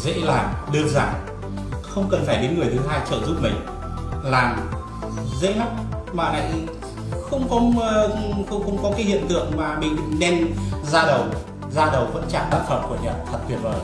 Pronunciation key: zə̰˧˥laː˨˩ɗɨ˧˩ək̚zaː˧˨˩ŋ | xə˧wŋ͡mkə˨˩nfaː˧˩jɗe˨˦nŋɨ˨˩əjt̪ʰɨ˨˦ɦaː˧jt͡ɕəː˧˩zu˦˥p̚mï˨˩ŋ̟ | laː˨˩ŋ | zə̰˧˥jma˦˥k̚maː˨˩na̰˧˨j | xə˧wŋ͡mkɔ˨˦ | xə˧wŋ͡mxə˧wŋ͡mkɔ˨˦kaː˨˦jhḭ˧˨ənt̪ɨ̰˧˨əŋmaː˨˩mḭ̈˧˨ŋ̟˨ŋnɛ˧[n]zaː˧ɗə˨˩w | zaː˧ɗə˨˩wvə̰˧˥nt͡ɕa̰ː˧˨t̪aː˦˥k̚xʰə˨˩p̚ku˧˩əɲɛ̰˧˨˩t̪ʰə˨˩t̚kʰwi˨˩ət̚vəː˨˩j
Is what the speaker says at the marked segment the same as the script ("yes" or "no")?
yes